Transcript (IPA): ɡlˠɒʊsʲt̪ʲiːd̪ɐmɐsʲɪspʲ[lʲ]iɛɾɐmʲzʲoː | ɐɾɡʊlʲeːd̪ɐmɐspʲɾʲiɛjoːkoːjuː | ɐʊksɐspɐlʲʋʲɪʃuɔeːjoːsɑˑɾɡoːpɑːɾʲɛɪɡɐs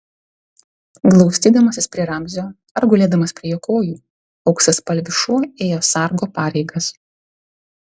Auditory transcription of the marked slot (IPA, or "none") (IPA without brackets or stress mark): ɾʲ